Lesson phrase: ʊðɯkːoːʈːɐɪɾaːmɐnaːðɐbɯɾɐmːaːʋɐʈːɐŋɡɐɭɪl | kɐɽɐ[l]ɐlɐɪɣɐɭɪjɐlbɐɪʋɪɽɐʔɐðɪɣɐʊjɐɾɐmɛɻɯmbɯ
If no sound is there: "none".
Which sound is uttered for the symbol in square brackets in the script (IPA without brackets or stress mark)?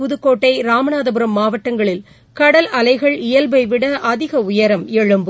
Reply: l